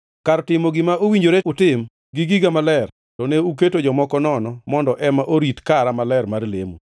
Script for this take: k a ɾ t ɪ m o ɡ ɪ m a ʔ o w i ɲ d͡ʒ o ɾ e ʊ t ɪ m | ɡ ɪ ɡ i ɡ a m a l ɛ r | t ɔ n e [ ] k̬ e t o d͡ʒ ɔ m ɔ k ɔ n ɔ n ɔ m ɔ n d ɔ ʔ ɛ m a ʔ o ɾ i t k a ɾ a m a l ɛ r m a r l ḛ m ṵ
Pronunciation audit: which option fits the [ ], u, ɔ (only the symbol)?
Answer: u